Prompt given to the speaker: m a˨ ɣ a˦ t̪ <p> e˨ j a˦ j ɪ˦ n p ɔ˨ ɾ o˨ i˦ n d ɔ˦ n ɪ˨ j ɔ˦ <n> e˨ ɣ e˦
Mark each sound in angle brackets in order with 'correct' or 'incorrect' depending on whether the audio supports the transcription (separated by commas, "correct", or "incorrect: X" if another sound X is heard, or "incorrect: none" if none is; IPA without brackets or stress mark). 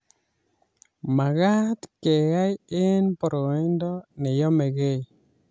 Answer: incorrect: k, incorrect: m